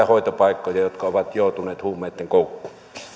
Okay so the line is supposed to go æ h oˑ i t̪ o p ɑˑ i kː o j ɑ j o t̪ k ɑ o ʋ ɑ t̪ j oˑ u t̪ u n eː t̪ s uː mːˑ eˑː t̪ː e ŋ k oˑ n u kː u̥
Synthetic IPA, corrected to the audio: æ h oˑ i t̪ o p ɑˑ i kː o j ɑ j o t̪ k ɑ o ʋ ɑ t̪ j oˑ u t̪ u n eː t̪ h uː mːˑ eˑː t̪ː e ŋ k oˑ u kː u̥